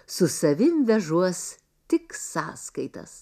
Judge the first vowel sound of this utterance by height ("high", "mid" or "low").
high